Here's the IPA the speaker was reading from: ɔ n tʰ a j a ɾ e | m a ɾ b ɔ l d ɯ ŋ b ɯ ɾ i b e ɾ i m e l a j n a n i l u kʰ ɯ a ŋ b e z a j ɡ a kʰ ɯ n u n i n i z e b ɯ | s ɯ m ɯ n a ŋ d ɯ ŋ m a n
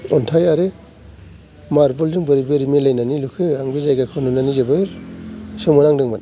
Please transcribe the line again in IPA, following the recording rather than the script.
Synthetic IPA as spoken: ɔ n tʰ a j a ɾ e | m a ɾ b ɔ l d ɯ ŋ b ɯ ɾ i b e ɾ i m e l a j n a n i l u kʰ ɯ a ŋ b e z a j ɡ a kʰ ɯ n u n a n i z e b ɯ | s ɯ m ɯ n a ŋ d ɯ ŋ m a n